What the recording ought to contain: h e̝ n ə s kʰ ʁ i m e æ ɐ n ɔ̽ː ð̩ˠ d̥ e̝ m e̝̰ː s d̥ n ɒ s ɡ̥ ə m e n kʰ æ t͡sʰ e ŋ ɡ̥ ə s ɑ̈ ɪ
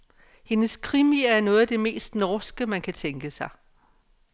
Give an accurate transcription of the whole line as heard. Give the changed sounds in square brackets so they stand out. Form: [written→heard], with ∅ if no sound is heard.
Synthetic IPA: h e̝ n ə s kʰ ʁ i m [e→i] æ ɐ n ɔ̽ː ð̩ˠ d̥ e̝ m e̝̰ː s d̥ n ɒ s ɡ̥ ə m [e→æ] n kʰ æ t͡sʰ e ŋ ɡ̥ ə s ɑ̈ ɪ